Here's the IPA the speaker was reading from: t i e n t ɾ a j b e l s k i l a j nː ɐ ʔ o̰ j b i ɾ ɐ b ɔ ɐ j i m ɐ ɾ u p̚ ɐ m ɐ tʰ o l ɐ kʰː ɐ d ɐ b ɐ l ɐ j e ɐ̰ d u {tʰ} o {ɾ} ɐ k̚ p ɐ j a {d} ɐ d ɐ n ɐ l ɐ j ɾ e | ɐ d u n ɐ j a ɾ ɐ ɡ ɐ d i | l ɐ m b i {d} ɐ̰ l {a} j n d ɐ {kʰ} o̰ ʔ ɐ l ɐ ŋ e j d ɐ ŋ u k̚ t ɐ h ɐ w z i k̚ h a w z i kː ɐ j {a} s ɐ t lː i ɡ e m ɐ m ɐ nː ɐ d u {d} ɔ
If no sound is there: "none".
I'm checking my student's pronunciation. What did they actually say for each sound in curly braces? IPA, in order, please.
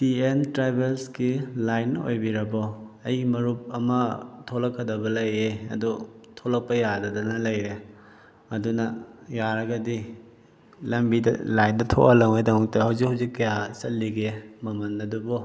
tʰ, l, d, d, a, tʰ, a, b

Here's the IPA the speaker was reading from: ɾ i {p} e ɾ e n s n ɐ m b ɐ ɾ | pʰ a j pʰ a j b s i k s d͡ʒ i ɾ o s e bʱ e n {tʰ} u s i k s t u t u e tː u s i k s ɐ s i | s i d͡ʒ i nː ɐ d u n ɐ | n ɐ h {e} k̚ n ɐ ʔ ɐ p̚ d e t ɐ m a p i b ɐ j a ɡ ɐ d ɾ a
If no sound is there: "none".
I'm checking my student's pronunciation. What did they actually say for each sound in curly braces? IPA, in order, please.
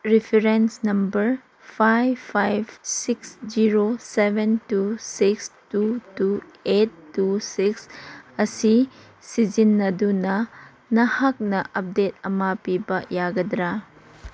pʰ, t, a

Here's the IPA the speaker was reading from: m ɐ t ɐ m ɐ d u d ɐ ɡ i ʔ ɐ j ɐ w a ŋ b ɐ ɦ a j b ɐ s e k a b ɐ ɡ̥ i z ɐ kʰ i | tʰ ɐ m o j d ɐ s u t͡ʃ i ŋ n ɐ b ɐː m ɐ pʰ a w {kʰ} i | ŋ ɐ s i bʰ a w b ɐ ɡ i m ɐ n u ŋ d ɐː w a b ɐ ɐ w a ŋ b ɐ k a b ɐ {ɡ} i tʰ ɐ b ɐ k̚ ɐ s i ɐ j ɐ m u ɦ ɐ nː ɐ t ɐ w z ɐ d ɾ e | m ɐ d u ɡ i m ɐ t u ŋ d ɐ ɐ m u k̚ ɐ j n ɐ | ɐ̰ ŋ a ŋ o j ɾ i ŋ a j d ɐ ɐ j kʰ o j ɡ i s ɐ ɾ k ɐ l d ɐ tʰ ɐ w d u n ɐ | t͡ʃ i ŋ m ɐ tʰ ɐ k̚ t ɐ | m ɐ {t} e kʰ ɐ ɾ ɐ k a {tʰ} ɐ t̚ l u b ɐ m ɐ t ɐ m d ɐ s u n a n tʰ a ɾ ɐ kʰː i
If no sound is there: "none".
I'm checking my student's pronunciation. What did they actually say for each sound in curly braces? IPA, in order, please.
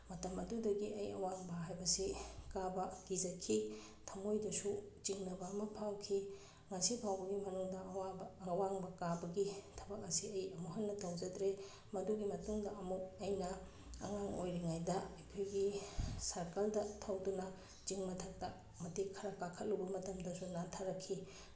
kʰ, ɡ, t, kʰ

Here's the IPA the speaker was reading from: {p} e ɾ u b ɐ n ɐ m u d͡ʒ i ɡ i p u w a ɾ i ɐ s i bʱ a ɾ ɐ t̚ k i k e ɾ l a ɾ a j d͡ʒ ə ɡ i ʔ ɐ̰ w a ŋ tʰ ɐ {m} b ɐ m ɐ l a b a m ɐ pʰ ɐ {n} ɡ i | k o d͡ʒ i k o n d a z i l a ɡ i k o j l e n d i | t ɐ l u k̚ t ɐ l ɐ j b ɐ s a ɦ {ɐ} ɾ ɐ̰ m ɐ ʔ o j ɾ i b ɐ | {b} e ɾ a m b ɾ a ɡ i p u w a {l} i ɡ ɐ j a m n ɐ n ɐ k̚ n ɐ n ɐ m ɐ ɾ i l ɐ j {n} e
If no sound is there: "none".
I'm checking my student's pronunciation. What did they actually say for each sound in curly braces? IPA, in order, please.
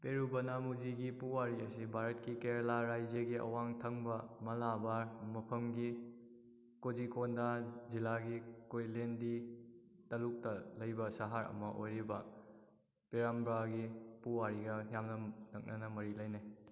p, ŋ, m, a, p, ɾ, n

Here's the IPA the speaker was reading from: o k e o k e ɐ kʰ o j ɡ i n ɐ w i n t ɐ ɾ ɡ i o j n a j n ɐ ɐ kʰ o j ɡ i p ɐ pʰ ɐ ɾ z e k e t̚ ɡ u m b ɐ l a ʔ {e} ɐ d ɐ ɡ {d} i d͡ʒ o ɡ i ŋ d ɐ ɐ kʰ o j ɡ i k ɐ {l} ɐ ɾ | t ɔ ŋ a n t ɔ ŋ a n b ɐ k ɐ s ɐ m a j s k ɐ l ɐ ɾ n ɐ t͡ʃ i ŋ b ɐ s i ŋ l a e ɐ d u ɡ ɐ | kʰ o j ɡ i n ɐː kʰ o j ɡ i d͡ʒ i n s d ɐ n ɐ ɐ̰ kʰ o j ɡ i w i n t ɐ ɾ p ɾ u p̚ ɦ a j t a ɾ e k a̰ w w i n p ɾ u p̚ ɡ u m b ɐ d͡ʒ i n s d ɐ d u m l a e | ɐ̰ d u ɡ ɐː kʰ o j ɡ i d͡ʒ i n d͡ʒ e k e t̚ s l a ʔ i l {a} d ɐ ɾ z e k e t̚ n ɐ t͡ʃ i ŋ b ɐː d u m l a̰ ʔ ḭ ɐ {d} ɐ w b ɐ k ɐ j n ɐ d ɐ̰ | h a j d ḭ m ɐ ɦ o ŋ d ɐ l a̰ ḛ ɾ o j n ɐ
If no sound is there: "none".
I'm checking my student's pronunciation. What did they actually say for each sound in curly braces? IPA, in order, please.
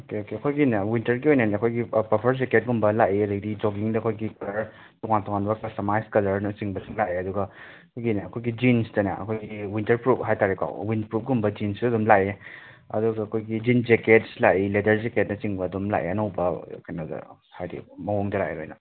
i, d, l, e, n

